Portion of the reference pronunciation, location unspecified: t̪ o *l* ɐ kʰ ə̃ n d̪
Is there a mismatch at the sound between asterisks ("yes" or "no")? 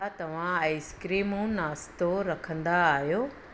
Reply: yes